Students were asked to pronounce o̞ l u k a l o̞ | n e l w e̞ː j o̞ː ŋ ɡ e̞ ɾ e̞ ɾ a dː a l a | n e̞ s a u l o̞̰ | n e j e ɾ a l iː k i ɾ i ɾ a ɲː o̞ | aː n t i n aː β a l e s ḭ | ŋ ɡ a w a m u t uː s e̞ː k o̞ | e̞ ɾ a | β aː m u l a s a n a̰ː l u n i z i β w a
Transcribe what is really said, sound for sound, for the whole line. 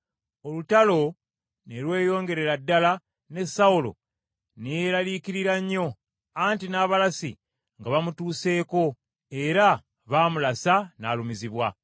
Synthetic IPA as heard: o̞ l u t a l o̞ | n e l w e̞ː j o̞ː ŋ ɡ e̞ ɾ e̞ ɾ a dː a l a | n e̞ s a u l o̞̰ | n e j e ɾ a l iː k i ɾ i ɾ a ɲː o̞ | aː n t i n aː β a l a s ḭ | ŋ ɡ a β a m u t uː s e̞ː k o̞ | e̞ ɾ a | β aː m u l a s a n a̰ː l u m i z i β w a